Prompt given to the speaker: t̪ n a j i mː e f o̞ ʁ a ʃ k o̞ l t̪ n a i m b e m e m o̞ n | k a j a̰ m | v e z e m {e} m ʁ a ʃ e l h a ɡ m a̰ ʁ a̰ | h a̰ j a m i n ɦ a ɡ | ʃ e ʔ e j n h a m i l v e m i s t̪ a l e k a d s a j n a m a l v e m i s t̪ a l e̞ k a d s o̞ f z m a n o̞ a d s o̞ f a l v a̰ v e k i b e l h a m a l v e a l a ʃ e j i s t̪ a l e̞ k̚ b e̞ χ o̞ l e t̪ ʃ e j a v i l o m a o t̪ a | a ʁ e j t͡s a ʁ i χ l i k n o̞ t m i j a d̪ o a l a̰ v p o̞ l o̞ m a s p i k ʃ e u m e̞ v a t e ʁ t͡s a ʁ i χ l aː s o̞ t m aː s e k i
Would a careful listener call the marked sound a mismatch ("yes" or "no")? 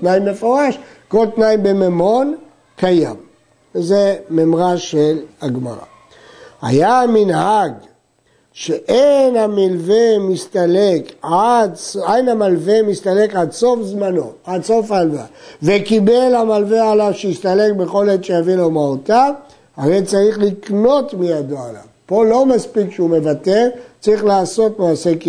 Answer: no